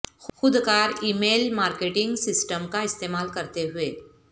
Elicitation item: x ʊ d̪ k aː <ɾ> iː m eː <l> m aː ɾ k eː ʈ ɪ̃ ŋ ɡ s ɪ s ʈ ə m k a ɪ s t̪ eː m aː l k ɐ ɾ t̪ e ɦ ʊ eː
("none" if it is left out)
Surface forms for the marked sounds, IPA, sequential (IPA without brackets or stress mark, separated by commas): ɾ, l